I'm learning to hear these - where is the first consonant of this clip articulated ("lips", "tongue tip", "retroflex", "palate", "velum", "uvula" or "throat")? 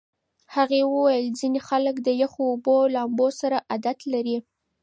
throat